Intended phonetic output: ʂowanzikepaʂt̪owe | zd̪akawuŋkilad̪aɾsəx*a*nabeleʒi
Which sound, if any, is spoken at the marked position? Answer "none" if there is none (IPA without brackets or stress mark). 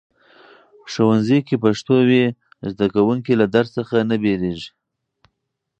a